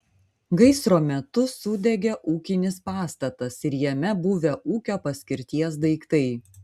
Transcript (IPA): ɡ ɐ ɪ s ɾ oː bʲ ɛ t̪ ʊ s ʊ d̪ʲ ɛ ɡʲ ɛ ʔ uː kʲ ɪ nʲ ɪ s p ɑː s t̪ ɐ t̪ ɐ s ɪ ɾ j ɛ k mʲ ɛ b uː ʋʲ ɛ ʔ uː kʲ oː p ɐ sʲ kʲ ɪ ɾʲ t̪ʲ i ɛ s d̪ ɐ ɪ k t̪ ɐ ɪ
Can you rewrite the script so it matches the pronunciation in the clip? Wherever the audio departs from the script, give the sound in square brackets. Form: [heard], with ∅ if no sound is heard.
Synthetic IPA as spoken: ɡ ɐ ɪ s ɾ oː [mʲ] ɛ t̪ ʊ s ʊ d̪ʲ ɛ ɡʲ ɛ ʔ uː kʲ ɪ nʲ ɪ s p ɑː s t̪ ɐ t̪ ɐ s ɪ ɾ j ɛ [∅] mʲ ɛ b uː ʋʲ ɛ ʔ uː kʲ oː p ɐ sʲ kʲ ɪ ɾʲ t̪ʲ i ɛ s d̪ ɐ ɪ k t̪ ɐ ɪ